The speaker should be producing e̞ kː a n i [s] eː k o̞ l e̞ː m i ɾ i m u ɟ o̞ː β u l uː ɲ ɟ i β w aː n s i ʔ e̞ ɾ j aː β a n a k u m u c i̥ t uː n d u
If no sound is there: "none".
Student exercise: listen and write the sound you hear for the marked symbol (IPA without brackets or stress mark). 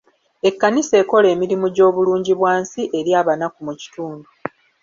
s